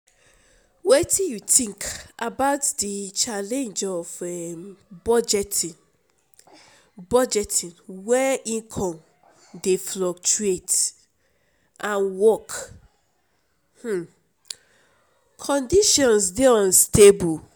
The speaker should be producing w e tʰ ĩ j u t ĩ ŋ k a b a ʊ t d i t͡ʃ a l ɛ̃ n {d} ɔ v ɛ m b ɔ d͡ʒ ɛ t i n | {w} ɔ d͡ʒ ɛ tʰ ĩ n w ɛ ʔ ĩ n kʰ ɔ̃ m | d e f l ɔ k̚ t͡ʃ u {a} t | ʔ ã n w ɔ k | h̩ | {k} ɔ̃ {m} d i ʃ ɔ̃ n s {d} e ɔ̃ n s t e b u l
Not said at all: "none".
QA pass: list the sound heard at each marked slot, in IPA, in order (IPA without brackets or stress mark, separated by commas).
d͡ʒ, b, e, kʰ, n, d